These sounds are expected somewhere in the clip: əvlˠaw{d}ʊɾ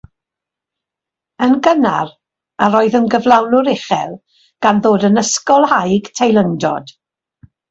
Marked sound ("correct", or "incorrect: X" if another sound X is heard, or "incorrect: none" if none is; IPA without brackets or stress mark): incorrect: n